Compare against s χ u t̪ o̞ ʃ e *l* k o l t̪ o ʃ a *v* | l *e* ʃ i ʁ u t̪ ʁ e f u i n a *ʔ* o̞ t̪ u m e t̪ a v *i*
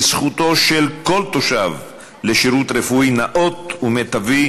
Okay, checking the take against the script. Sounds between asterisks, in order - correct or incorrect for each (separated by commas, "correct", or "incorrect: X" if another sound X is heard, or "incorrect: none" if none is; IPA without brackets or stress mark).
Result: correct, correct, correct, correct, correct